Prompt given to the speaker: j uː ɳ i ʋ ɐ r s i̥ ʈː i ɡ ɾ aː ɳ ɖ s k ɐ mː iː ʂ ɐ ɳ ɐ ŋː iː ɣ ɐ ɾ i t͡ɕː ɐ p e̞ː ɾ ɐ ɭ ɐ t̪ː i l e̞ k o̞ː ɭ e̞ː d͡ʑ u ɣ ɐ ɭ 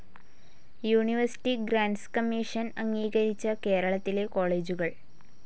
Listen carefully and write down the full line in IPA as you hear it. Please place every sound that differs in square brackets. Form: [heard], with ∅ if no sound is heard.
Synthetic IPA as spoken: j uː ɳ i ʋ ɐ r s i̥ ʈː i ɡ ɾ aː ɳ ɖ s k ɐ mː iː ʂ ɐ [n] ɐ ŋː iː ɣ ɐ ɾ i t͡ɕː ɐ [k] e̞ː ɾ ɐ ɭ ɐ t̪ː i l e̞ k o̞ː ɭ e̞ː d͡ʑ u ɣ ɐ ɭ